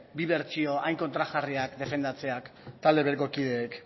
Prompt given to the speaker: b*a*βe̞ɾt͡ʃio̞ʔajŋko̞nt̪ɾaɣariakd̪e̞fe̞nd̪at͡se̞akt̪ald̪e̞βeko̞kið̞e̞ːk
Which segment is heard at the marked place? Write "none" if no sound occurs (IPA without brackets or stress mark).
i